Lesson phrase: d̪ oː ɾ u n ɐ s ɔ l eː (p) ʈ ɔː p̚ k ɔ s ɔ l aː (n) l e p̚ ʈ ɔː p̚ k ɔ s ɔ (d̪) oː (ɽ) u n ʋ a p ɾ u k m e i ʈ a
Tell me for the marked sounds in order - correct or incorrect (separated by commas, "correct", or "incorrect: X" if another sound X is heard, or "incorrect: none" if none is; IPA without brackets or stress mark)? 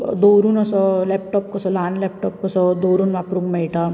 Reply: correct, correct, correct, incorrect: ɾ